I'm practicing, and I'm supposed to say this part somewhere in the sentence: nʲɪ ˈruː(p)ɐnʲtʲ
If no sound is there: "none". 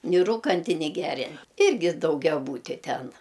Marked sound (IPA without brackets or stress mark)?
k